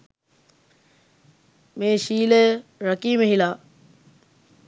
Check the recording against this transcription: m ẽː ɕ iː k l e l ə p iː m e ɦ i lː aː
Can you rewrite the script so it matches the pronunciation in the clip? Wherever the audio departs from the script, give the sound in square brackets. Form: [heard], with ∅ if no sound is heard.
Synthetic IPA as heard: m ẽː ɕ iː [∅] l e [ɾ] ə [k] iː m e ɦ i [l] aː